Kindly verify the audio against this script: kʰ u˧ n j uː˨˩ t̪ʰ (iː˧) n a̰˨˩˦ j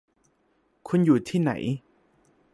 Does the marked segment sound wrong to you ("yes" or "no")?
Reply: yes